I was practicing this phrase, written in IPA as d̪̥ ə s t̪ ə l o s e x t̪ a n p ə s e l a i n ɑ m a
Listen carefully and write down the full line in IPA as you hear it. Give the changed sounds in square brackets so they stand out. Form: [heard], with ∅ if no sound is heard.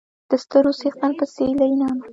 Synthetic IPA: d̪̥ ə s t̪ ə [ɾ] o s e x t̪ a n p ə s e l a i n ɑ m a